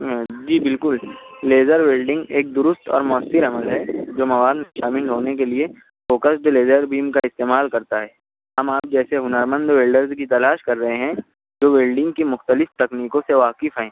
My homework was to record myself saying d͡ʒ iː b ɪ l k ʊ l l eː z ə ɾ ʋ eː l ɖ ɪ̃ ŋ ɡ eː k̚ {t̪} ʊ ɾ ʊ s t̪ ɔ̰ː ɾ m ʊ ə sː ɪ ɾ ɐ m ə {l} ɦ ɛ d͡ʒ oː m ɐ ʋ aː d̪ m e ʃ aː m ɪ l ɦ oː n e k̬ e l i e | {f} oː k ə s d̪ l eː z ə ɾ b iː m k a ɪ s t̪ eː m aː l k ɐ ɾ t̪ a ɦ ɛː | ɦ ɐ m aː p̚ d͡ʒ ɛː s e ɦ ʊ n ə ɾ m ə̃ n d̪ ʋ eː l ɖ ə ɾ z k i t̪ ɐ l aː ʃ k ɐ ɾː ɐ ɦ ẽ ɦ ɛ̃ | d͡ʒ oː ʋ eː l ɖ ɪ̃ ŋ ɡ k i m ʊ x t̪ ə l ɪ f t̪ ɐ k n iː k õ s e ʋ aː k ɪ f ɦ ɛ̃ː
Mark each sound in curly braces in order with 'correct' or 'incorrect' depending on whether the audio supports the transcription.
incorrect: d̪, correct, correct

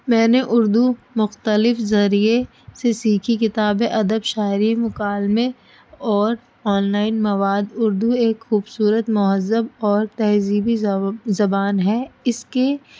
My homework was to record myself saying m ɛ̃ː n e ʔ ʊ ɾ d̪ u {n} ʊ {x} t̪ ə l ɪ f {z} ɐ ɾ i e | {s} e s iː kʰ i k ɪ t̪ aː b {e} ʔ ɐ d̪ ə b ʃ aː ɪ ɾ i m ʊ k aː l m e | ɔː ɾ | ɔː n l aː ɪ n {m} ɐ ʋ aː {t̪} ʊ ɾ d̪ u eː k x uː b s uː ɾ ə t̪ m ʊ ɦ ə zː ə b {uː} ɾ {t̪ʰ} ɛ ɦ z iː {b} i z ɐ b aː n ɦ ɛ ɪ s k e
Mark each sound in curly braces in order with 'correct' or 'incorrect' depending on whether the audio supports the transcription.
incorrect: m, correct, correct, correct, correct, correct, incorrect: d̪, incorrect: ɔː, incorrect: t̪, correct

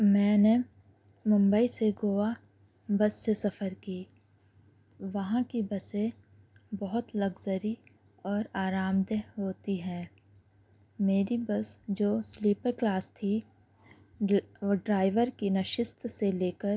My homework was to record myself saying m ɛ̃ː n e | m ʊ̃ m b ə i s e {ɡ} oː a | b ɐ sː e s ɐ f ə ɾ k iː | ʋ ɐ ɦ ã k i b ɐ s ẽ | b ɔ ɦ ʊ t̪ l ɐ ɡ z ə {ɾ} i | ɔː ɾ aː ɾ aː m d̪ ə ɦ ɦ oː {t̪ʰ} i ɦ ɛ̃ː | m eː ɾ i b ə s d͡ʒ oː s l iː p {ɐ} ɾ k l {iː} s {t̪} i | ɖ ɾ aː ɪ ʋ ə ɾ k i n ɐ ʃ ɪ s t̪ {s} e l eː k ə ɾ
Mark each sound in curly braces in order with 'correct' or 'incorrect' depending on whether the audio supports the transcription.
correct, correct, incorrect: t̪, incorrect: ə, incorrect: aː, incorrect: t̪ʰ, correct

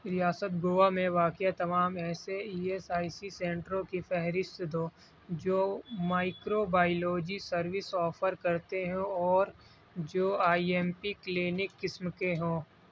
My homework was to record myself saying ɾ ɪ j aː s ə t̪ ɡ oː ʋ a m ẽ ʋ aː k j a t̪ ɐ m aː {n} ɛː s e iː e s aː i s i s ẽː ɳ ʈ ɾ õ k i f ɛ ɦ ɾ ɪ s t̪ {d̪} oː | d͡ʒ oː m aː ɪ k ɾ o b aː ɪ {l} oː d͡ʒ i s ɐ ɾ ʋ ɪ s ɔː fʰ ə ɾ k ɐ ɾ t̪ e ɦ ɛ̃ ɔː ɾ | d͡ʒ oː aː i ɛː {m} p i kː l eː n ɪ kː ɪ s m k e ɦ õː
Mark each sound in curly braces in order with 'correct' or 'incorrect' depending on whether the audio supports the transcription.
incorrect: m, correct, correct, correct

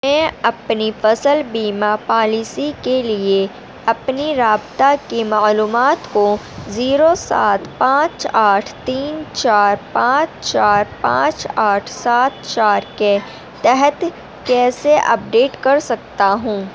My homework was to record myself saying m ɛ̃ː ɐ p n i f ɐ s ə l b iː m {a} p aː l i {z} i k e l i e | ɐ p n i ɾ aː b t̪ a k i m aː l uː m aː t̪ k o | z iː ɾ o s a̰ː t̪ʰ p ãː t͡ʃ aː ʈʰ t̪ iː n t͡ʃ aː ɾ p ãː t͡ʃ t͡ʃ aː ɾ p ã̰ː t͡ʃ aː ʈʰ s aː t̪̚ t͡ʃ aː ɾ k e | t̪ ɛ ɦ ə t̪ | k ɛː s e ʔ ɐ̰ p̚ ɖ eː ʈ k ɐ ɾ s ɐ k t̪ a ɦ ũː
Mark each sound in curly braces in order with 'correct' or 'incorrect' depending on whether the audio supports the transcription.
correct, incorrect: s

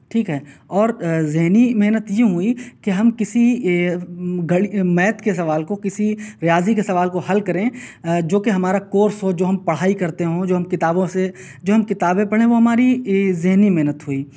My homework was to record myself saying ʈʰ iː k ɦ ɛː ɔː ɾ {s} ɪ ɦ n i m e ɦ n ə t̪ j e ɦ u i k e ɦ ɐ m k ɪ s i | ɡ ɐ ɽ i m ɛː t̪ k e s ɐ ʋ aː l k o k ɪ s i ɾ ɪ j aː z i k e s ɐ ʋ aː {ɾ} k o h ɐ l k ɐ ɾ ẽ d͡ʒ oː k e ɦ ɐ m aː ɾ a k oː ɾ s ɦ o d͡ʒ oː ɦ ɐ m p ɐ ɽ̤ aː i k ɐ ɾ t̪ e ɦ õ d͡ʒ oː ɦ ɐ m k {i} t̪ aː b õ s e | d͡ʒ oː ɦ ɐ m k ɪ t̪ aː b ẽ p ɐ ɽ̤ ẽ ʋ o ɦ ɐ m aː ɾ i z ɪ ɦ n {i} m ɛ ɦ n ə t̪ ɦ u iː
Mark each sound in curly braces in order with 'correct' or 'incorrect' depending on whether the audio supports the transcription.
incorrect: z, incorrect: l, incorrect: ɪ, correct

